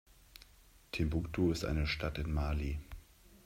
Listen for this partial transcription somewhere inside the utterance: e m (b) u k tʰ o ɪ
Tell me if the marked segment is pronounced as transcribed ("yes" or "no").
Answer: yes